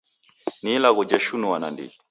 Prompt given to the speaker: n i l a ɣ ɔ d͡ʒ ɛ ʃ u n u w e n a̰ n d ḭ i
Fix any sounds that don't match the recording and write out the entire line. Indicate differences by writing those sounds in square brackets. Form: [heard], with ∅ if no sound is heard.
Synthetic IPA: n i l a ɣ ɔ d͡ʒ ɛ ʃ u n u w [a] n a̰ n d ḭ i